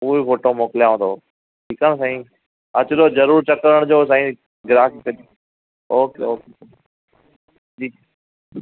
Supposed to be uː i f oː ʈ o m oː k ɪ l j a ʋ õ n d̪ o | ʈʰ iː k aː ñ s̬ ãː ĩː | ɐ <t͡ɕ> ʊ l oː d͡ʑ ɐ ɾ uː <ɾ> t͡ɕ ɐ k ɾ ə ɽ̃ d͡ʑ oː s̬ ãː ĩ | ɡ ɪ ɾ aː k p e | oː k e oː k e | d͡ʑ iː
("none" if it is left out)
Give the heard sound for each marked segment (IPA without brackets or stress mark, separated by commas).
t͡ɕ, ɾ